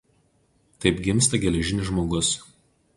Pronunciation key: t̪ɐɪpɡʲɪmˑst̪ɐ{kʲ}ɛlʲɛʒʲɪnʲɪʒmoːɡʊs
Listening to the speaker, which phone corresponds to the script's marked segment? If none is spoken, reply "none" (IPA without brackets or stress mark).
ɡʲ